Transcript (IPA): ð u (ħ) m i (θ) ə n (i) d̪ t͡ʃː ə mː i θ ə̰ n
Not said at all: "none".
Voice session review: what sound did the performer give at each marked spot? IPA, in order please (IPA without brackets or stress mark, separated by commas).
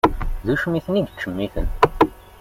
ʃ, θ, i